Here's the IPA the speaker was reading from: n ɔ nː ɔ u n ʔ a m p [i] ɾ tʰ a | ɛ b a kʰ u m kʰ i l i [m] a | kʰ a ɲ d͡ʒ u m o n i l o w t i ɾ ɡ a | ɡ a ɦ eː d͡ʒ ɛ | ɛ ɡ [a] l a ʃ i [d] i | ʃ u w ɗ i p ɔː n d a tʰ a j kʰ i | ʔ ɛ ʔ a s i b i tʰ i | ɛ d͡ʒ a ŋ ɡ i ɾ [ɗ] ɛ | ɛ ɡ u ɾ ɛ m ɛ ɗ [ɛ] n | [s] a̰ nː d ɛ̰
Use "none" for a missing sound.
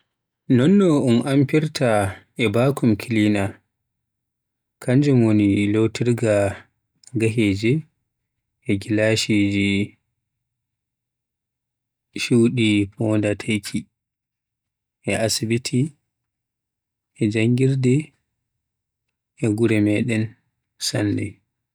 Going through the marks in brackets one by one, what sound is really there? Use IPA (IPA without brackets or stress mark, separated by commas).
i, n, i, d͡ʒ, d, ɛ, s